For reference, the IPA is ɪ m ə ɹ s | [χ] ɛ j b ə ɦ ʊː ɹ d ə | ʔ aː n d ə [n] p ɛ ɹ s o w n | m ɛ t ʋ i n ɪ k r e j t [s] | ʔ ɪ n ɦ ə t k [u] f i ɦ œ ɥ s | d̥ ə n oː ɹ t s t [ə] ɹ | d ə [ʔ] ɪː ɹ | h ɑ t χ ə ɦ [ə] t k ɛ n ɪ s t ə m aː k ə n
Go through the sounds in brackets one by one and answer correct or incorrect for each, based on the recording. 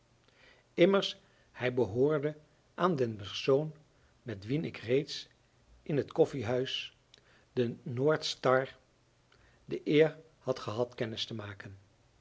incorrect: h, correct, correct, incorrect: ɔ, incorrect: ɑ, correct, incorrect: ɑ

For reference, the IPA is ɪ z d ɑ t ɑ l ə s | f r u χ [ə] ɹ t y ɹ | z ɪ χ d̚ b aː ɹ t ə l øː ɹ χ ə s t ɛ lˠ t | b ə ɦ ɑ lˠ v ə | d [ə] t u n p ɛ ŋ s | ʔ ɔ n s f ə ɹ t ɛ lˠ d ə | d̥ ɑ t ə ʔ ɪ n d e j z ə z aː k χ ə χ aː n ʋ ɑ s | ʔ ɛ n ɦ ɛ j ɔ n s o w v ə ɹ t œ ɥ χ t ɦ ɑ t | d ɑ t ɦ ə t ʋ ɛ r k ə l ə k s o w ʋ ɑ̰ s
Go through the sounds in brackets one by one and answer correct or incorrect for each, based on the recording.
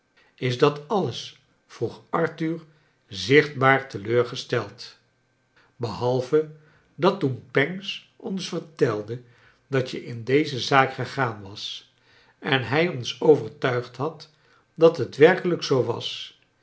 incorrect: ɑ, incorrect: ɑ

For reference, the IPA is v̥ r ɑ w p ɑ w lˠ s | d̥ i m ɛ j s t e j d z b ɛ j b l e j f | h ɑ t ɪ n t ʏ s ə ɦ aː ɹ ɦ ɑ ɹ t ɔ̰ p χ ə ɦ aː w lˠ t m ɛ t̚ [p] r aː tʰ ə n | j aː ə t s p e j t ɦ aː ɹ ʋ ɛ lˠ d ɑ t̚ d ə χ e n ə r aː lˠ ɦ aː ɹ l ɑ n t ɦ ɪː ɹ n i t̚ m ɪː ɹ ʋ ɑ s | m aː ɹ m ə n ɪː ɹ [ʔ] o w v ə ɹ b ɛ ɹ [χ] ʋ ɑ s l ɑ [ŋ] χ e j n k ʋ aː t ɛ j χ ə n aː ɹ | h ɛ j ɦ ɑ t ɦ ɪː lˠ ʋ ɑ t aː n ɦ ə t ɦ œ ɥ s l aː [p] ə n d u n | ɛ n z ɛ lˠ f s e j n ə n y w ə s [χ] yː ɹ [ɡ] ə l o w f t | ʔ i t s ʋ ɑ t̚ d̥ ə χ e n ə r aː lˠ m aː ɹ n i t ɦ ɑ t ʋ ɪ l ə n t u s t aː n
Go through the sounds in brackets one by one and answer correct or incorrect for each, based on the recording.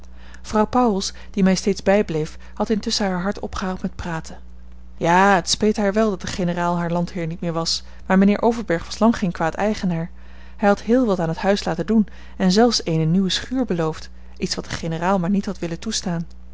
correct, correct, correct, correct, incorrect: t, correct, incorrect: b

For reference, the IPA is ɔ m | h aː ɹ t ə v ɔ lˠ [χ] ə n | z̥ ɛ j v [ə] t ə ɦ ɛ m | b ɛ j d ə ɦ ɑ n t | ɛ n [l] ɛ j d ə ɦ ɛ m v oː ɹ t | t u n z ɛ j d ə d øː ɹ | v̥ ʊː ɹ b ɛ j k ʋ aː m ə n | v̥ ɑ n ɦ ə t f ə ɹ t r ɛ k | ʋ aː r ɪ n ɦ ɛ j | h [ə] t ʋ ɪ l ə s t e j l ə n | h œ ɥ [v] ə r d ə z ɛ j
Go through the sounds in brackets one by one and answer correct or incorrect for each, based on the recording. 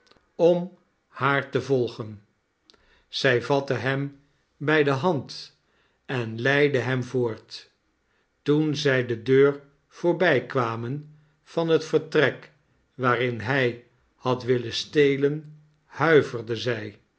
correct, incorrect: ɑ, correct, incorrect: ɑ, correct

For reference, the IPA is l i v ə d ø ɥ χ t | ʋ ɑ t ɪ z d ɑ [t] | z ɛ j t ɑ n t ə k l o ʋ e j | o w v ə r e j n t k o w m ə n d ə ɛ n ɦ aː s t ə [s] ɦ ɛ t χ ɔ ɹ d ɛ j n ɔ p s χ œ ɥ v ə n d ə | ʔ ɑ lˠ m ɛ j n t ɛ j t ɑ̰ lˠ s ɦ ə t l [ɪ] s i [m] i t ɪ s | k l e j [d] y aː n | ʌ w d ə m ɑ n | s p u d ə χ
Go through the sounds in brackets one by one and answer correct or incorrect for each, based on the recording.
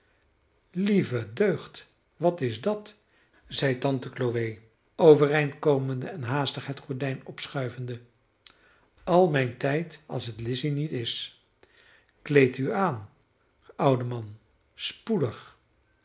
correct, incorrect: χ, correct, incorrect: n, incorrect: t

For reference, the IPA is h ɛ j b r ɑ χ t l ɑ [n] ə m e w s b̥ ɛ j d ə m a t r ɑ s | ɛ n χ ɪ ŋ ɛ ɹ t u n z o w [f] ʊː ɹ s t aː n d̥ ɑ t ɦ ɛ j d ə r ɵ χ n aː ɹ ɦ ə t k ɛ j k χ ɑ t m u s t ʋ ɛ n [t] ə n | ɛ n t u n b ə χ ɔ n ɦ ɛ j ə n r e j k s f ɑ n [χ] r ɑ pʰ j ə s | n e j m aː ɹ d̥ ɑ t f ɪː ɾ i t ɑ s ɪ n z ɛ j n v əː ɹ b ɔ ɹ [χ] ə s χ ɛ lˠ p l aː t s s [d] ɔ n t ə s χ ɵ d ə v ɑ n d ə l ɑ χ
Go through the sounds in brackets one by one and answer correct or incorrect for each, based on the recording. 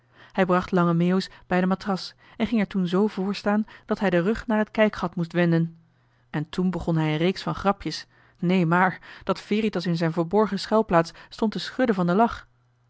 incorrect: ŋ, incorrect: v, incorrect: d, correct, correct, incorrect: t

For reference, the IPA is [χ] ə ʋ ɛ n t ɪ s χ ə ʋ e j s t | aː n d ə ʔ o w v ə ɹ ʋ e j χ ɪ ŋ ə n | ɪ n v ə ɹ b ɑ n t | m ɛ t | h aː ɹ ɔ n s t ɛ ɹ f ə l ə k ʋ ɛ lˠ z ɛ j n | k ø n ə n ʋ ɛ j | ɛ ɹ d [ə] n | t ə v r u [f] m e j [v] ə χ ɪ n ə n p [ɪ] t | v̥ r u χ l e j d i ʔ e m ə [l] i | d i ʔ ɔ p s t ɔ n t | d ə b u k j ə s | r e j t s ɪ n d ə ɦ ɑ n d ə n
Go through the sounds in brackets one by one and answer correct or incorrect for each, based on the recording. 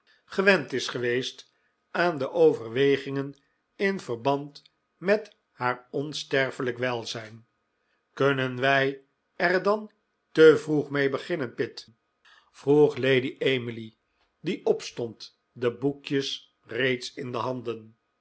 correct, incorrect: ɑ, incorrect: χ, incorrect: b, correct, correct

